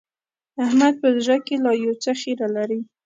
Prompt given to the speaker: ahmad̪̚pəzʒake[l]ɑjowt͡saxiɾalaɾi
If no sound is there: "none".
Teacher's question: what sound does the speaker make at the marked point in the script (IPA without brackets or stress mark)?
l